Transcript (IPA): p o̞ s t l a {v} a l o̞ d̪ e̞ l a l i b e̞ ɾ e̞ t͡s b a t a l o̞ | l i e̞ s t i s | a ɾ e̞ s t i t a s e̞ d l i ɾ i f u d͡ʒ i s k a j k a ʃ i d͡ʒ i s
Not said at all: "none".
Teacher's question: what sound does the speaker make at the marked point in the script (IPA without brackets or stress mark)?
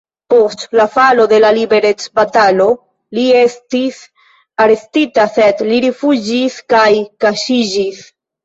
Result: f